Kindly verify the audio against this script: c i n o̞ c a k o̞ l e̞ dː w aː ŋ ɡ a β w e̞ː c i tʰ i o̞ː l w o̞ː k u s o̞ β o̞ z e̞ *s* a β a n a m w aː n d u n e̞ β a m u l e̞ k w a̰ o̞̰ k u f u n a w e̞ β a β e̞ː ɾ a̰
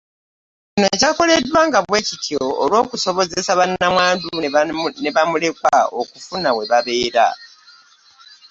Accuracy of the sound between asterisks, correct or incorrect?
correct